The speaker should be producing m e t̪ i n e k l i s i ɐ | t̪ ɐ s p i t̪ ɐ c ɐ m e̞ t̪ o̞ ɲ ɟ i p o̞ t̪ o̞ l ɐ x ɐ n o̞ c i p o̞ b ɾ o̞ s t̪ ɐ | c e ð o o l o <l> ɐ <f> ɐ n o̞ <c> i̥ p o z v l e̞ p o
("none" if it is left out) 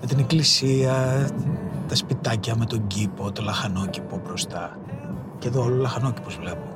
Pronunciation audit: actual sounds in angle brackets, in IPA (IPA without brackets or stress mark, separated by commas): l, x, c